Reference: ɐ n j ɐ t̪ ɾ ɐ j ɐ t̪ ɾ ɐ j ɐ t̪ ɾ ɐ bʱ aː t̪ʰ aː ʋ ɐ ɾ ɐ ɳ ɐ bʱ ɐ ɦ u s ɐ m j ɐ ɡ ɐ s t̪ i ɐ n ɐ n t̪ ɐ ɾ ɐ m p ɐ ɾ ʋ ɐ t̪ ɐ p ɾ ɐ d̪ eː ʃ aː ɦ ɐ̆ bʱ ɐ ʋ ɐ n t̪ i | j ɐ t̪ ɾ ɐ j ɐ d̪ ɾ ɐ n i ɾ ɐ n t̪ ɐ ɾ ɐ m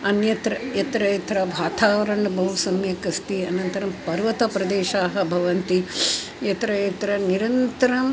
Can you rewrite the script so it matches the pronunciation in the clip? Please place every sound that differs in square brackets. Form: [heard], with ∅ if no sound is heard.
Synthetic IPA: ɐ n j ɐ t̪ ɾ ɐ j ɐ t̪ ɾ ɐ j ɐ t̪ ɾ ɐ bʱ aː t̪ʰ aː ʋ ɐ ɾ ɐ ɳ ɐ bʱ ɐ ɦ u s ɐ m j ɐ [k] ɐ s t̪ i ɐ n ɐ n t̪ ɐ ɾ ɐ m p ɐ ɾ ʋ ɐ t̪ ɐ p ɾ ɐ d̪ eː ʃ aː ɦ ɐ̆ bʱ ɐ ʋ ɐ n t̪ i | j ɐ t̪ ɾ ɐ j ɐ [t̪] ɾ ɐ n i ɾ ɐ n t̪ ɐ ɾ ɐ m

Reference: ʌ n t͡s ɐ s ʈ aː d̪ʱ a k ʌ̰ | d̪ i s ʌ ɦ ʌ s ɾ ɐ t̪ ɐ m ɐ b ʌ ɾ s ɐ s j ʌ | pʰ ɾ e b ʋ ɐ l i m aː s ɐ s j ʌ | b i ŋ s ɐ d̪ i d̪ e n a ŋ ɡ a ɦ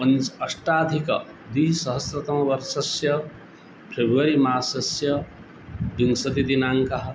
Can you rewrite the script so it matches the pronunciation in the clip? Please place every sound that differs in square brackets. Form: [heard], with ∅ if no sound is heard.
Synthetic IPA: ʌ n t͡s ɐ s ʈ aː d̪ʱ [i] k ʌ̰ | d̪ i s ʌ ɦ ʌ s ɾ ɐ t̪ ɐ m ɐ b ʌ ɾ s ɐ s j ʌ | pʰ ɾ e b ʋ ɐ [ɾ] i m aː s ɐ s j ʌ | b i ŋ s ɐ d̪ i d̪ [i] n a ŋ [k] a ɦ

